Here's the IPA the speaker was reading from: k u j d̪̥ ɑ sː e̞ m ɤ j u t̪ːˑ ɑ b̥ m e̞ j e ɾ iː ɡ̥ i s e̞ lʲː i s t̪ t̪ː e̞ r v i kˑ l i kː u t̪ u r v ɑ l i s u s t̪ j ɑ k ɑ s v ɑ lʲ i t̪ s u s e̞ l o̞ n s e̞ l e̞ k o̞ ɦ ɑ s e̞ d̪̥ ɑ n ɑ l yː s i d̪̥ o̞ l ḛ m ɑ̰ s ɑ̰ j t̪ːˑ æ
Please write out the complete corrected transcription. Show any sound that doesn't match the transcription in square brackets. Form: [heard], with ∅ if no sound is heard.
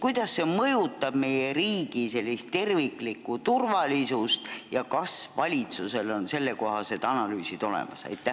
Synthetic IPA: k u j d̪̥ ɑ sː e̞ m ɤ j u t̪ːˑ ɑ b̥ m e̞ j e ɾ iː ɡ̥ i s e̞ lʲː i s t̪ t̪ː e̞ r v i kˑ l i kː u t̪ u r v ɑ l i s u s t̪ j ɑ k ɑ s v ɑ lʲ i t̪ s u s e̞ l o̞ n s e̞ [lː] e̞ k o̞ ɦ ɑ s e̞ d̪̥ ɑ n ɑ l yː s i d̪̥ o̞ l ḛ m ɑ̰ s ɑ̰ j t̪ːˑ æ